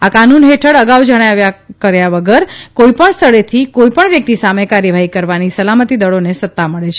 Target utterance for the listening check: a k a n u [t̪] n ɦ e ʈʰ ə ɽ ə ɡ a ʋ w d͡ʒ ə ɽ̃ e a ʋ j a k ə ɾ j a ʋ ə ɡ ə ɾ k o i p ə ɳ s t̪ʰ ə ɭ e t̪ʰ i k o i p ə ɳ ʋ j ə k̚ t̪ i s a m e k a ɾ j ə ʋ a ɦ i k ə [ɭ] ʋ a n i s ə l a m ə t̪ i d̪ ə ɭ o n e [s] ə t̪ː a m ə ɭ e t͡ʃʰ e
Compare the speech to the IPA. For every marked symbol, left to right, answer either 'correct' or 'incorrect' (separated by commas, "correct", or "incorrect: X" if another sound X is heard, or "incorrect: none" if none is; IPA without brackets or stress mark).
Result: incorrect: none, incorrect: ɾ, correct